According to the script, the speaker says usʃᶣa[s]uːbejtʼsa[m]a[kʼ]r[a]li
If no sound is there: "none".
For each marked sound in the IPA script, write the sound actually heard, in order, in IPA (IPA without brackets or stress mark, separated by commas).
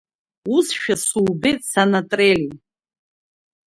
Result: s, n, tʼ, e